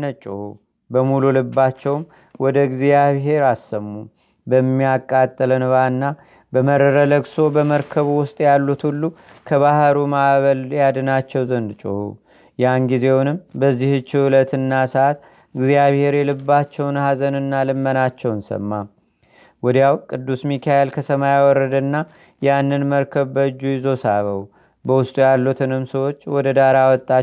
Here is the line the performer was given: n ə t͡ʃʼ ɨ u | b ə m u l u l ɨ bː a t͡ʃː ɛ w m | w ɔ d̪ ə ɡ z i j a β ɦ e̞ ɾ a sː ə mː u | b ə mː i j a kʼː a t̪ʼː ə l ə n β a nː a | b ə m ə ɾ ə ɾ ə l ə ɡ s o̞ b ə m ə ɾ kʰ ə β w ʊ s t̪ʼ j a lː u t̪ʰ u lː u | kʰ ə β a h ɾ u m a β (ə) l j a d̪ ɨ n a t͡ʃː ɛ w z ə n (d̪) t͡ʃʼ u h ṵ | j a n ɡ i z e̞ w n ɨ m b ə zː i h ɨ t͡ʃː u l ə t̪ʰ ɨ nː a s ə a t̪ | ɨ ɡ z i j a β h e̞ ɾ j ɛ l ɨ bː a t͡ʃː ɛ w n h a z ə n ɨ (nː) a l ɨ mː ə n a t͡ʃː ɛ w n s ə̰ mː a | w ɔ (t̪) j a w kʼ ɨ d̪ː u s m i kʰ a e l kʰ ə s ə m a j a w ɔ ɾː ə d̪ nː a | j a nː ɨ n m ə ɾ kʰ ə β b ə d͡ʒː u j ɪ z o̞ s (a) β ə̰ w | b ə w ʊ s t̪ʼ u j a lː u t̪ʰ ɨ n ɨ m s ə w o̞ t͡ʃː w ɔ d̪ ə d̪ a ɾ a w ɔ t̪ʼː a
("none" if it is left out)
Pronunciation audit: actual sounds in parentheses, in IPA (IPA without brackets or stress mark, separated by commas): ə, d̪, nː, d̪, a